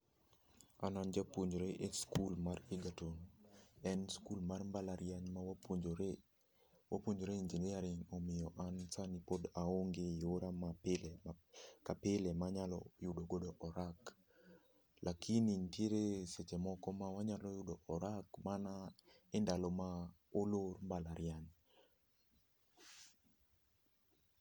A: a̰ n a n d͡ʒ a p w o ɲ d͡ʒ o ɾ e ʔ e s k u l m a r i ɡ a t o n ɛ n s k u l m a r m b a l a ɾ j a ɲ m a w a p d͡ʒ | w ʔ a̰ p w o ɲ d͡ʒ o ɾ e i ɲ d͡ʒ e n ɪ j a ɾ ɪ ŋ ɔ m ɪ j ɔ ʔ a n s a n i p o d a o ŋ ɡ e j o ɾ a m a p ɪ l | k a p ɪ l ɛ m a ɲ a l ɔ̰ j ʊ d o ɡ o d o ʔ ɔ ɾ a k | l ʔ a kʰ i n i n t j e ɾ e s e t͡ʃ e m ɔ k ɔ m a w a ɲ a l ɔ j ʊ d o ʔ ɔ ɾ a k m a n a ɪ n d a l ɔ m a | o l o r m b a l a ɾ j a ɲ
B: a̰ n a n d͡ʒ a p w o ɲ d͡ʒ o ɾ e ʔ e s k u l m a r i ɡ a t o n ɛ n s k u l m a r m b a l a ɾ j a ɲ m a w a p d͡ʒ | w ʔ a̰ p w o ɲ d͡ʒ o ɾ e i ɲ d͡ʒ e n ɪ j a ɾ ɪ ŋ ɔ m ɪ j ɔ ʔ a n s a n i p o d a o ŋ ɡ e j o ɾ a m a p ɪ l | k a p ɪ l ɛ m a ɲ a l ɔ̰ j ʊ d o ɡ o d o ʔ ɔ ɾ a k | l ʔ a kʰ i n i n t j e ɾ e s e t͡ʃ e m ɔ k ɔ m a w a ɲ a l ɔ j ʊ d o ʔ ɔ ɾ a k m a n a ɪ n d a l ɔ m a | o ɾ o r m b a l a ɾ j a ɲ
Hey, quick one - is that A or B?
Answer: A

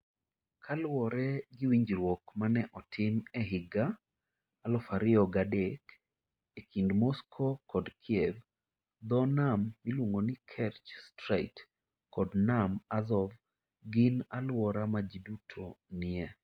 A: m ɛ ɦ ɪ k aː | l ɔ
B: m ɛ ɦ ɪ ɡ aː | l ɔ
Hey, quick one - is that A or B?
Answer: B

